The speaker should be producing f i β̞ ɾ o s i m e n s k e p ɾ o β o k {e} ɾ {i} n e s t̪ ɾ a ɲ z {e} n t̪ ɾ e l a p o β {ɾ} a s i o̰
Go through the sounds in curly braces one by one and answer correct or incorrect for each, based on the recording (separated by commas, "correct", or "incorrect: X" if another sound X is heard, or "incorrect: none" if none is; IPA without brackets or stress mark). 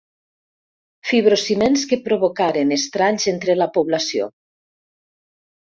incorrect: a, incorrect: e, correct, incorrect: l